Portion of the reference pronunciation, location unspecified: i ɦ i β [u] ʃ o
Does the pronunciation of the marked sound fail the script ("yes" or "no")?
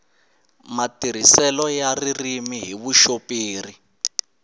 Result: no